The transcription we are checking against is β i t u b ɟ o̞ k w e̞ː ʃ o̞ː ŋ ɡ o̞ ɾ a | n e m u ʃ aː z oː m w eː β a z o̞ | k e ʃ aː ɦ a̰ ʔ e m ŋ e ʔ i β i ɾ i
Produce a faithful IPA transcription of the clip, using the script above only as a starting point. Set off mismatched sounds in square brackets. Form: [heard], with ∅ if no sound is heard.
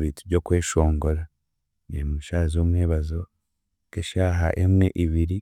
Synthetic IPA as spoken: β i t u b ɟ o̞ k w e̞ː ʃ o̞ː ŋ ɡ o̞ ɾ a | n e m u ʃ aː z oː m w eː β a z o̞ | k e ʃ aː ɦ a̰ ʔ e m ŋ e ʔ i β i ɾ i